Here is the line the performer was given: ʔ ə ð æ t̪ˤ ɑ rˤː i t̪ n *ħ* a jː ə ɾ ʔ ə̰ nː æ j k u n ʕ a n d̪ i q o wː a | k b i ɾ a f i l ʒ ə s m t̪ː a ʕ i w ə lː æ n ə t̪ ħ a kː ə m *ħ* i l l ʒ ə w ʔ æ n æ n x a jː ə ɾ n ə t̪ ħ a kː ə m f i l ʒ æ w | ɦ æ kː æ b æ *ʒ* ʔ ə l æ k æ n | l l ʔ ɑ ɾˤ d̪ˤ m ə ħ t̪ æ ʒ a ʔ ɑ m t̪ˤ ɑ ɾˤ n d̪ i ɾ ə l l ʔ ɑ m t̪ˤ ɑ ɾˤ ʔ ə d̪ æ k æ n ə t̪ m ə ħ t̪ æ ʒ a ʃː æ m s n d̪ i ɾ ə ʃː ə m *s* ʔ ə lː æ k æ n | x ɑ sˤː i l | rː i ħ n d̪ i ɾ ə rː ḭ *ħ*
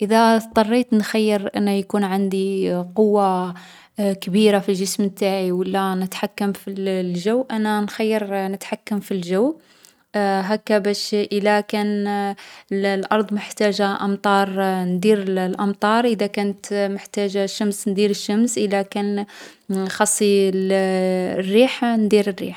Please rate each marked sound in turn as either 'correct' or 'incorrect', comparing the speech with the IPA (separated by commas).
incorrect, incorrect, incorrect, correct, correct